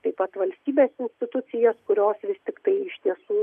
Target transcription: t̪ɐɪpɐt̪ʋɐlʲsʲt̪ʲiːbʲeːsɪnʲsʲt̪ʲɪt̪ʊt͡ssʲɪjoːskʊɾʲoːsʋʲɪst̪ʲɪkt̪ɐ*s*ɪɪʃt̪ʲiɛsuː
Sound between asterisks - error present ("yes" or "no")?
yes